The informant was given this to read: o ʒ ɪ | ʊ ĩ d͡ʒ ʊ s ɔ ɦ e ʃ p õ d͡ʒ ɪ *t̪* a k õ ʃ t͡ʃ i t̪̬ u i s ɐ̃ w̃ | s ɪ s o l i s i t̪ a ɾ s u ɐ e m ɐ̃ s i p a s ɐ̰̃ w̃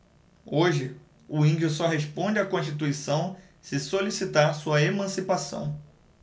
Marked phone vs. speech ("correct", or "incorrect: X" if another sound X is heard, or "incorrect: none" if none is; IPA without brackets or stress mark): incorrect: none